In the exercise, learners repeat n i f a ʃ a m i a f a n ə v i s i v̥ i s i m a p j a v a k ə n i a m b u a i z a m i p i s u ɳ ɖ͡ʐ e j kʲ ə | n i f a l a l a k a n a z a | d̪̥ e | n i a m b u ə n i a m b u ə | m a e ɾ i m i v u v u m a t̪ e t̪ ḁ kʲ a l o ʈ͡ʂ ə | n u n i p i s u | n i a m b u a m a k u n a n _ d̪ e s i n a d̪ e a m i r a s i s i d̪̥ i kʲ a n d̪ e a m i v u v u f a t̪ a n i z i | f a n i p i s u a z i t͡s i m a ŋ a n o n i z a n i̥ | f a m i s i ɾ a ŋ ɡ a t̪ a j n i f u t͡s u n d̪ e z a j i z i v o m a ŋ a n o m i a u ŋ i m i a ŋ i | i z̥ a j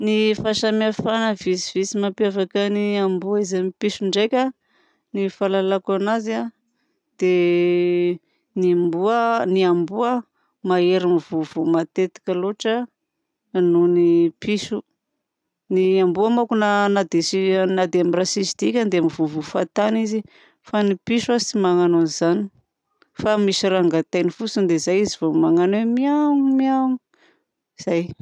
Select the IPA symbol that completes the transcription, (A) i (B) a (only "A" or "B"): B